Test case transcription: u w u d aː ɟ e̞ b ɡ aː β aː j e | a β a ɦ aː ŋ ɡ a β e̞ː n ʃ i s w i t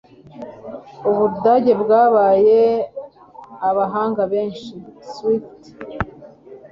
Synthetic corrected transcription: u β u d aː ɟ e̞ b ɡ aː β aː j e | a β a ɦ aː ŋ ɡ a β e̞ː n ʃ i s w i t

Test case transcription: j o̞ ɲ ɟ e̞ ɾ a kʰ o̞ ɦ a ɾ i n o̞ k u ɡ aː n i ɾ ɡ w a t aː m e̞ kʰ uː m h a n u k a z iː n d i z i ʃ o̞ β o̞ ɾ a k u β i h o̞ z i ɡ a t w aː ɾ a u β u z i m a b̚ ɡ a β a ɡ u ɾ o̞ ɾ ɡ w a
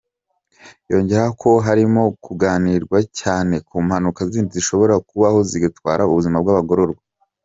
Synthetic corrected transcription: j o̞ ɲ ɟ e̞ ɾ a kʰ o̞ ɦ a ɾ i m o̞ k u ɡ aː n i ɾ ɡ w a c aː n e̞ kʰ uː m h a n u k a z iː n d i z i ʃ o̞ β o̞ ɾ a k u β a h o̞ z i ɡ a t w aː ɾ a u β u z i m a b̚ ɡ a β a ɡ o ɾ o̞ ɾ ɡ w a

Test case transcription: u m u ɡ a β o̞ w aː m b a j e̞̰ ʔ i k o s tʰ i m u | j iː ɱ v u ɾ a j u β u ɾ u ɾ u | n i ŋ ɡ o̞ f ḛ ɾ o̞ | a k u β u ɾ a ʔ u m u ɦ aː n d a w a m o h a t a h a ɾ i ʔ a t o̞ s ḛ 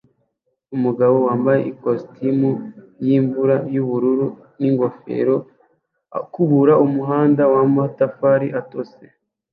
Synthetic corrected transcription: u m u ɡ a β o̞ w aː m b a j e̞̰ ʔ i k o s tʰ i m u | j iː ɱ v u ɾ a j u β u ɾ u ɾ u | n i ŋ ɡ o̞ f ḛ ɾ o̞ | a k u β u ɾ a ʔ u m u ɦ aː n d a w a m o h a t a f a ɾ i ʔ a t o̞ s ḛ

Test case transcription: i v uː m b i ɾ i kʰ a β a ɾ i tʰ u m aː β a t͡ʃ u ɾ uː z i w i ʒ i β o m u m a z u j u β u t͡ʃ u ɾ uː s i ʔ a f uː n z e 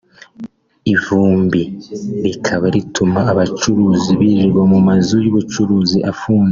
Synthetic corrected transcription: i v uː m b i ɾ i kʰ a β a ɾ i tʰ u m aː β a t͡ʃ u ɾ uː z i β i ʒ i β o m u m a z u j u β u t͡ʃ u ɾ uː z i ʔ a f uː n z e

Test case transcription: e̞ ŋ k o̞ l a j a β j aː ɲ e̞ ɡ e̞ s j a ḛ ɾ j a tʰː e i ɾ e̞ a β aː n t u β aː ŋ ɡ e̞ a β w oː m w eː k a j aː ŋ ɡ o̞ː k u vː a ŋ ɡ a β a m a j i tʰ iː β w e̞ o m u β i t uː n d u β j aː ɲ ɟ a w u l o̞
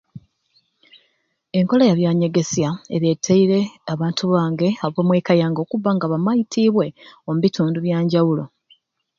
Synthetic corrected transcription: e̞ ŋ k o̞ l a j a β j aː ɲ e̞ ɡ e̞ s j a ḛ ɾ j e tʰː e i ɾ e̞ a β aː n t u β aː ŋ ɡ e̞ a β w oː m w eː k a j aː ŋ ɡ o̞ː k u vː a ŋ ɡ a β a m a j i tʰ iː β w e̞ o m u β i t uː n d u β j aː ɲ ɟ a w u l o̞

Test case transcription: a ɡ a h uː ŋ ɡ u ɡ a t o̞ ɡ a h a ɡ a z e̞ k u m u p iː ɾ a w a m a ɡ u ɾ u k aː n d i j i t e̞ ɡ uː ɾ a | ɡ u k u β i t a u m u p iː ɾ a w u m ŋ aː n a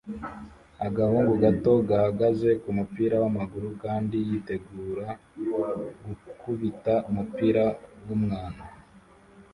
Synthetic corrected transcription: a ɡ a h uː ŋ ɡ u ɡ a t o̞ ɡ a h a ɡ a z e̞ k u m u p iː ɾ a w a m a ɡ u ɾ u k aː n d i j i t e̞ ɡ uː ɾ a | ɡ u k u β i t a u m u p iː ɾ a w u m ŋ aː n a

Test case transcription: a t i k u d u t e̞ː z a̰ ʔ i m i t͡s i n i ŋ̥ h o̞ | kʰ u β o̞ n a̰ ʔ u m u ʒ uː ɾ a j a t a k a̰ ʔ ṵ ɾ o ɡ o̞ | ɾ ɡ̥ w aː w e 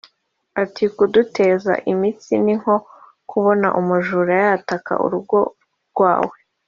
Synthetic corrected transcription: a t i k u d u t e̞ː z a̰ ʔ i m i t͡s i n i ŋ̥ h o̞ | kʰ u β o̞ n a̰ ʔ u m u ʒ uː ɾ a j a t a k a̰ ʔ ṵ ɾ u ɡ o̞ | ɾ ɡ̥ w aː w e

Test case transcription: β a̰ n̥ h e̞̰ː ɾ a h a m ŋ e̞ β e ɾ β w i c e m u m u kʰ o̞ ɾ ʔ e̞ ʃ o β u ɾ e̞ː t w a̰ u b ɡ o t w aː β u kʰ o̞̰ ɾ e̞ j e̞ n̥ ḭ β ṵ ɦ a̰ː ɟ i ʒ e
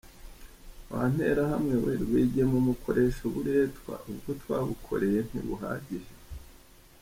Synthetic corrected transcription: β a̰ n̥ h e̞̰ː ɾ a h a m ŋ e̞ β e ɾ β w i ɟ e m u m u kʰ o̞ ɾ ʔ e̞ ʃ o β u ɾ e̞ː t w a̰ u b ɡ o t w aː β u kʰ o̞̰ ɾ e̞ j e̞ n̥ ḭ β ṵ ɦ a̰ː ɟ i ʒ e

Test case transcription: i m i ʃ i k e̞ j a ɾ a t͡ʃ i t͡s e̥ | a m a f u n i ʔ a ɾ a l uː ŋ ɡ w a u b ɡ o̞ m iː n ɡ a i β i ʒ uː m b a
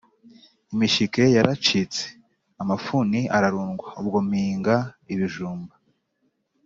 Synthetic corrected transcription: i m i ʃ i k e̞ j a ɾ a t͡ʃ i t͡s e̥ | a m a f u n i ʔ a ɾ a ɾ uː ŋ ɡ w a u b ɡ o̞ m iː ŋ ɡ a i β i ʒ uː m b a

